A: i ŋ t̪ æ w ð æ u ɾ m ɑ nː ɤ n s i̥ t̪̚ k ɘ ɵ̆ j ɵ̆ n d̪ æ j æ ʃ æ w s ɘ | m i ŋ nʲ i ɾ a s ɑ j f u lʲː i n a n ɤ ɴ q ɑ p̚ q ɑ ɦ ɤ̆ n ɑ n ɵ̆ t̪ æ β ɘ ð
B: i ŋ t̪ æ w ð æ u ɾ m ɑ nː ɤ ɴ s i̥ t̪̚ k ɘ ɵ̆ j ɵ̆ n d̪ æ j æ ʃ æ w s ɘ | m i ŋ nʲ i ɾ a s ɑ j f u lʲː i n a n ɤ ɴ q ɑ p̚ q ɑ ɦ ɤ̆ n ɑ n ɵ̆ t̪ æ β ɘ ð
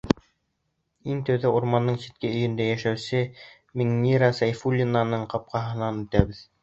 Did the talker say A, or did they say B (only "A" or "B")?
B